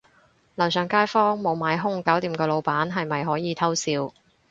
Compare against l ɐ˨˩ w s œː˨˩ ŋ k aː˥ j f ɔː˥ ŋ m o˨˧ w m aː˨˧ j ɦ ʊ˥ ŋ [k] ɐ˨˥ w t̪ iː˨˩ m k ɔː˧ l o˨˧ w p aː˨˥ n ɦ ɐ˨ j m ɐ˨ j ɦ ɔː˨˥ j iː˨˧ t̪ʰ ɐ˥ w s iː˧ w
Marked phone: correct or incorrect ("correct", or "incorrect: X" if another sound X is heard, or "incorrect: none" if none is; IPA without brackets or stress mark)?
correct